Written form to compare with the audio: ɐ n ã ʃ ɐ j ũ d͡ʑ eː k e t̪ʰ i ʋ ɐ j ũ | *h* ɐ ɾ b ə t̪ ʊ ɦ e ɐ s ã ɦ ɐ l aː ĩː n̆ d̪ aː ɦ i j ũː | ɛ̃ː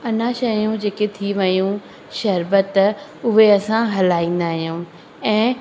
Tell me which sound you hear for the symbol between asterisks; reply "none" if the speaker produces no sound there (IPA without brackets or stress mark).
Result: ʃ